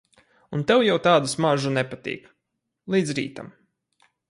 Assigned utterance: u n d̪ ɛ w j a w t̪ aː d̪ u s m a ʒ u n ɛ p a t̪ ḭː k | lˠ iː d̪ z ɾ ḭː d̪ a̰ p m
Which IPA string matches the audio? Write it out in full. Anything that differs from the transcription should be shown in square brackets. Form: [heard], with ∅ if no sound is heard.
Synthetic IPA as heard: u n [t̪] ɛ w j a w t̪ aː d̪ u s m a ʒ u n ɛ p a t̪ ḭː k | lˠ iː d̪ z ɾ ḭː [t̪] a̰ [∅] m